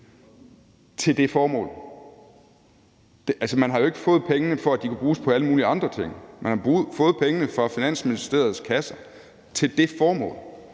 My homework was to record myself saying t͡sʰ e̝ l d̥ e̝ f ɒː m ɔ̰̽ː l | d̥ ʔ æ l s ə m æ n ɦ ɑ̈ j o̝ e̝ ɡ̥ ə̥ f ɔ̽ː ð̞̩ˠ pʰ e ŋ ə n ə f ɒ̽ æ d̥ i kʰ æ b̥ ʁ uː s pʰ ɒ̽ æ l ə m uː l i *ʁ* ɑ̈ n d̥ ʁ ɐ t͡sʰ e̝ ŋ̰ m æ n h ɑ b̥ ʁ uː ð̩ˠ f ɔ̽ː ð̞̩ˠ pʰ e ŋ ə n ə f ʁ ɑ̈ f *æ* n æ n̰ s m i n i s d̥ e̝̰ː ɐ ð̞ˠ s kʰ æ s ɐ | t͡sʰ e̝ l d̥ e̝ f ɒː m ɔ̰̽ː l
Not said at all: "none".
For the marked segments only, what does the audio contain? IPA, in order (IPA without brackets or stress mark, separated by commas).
none, i